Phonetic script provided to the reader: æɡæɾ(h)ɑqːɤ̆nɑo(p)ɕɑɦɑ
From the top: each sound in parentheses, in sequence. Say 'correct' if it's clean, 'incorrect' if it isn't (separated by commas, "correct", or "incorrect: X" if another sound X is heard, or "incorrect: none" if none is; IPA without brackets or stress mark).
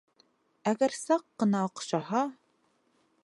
incorrect: s, incorrect: q